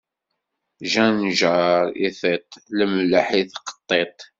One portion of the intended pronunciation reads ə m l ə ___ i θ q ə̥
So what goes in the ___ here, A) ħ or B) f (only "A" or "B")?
A